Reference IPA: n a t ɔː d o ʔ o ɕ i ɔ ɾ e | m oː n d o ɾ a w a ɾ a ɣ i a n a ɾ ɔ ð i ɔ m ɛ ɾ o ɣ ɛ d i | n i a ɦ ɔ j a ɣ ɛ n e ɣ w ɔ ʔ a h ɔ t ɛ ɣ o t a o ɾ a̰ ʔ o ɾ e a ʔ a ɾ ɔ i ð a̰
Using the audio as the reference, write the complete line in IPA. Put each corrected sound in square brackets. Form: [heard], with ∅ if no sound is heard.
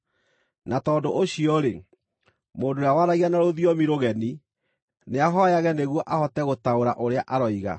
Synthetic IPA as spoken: n a t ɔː d o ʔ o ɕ i ɔ ɾ e | m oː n d o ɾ a w a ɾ a ɣ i a n a ɾ [o] ð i ɔ m [i] ɾ o ɣ ɛ [n] i | n [e] a ɦ ɔ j a ɣ ɛ n e ɣ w ɔ ʔ a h ɔ t ɛ ɣ o t a o ɾ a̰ ʔ o ɾ e a ʔ a ɾ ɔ i [ɣ] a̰